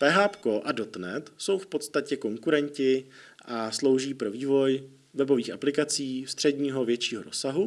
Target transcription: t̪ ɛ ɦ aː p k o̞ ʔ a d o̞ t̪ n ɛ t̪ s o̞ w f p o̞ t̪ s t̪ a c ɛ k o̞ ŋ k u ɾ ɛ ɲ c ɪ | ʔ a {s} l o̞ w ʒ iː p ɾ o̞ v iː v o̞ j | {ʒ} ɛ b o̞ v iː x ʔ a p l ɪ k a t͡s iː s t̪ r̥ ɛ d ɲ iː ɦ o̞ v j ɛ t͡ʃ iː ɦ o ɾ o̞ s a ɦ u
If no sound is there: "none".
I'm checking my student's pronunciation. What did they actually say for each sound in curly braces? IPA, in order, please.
s, v

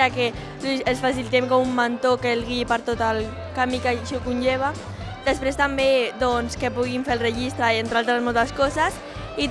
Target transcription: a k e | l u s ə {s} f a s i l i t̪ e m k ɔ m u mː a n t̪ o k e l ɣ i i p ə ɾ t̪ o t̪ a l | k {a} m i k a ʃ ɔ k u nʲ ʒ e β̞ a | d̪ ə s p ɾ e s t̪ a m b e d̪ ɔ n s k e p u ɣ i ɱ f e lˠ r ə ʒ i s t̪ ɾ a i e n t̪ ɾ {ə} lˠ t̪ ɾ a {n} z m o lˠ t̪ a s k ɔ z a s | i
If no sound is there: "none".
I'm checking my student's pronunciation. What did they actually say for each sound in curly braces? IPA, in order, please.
s, a, a, none

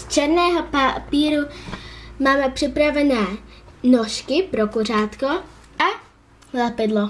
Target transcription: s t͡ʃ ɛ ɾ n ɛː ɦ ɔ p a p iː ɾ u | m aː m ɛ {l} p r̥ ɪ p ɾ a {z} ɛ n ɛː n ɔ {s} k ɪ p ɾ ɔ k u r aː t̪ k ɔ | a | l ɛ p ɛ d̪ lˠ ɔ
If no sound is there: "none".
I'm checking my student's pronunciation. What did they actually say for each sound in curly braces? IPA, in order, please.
none, v, ʃ

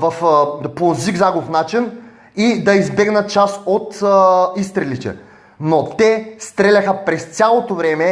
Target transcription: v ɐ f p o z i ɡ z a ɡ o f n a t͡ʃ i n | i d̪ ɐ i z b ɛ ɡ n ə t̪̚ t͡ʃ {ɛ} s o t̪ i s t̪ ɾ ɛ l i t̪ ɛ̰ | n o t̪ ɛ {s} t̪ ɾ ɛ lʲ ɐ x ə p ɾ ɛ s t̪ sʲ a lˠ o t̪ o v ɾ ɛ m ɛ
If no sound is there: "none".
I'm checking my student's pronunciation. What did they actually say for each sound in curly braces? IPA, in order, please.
a, s

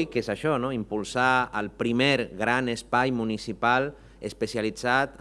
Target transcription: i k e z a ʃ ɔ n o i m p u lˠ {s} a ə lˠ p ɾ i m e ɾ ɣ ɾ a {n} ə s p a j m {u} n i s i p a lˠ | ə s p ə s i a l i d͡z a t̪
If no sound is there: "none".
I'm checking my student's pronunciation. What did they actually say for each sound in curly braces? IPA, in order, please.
s, n, u

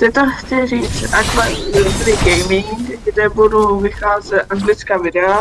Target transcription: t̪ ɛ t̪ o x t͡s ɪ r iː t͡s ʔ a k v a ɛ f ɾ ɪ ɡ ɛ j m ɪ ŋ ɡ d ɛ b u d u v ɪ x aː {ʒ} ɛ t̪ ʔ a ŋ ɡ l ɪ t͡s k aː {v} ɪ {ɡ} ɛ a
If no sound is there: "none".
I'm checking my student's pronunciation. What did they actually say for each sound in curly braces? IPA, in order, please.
z, v, d

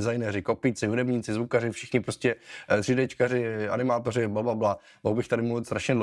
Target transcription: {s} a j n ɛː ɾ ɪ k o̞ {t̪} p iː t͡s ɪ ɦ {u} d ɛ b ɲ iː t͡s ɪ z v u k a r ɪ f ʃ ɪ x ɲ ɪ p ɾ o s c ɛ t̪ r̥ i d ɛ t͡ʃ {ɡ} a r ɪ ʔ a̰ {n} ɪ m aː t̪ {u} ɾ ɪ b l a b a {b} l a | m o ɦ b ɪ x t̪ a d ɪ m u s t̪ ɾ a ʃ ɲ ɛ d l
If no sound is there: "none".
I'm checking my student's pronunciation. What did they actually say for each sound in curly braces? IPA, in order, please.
z, none, u, k, n, o, b

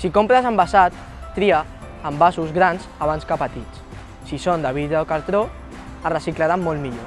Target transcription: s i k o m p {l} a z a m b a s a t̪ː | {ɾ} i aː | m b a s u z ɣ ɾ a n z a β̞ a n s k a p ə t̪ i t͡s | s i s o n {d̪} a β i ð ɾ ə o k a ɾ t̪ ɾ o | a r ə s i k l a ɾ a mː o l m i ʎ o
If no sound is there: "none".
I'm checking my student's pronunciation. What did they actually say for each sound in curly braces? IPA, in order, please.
ɾ, ɾ, d̪

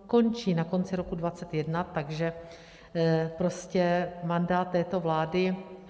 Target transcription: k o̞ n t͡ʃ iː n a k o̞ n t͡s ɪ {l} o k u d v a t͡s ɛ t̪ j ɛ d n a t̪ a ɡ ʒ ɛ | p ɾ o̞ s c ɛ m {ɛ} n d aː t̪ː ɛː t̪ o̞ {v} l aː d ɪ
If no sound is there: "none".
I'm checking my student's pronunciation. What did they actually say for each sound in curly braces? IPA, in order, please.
ɾ, a, v

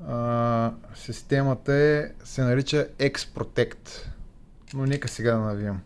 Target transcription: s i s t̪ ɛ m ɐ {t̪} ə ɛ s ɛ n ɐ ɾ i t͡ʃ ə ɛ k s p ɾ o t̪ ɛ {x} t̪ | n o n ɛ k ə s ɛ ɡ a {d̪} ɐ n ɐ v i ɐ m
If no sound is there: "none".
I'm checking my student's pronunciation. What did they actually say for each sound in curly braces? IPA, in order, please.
t̪, k, d̪

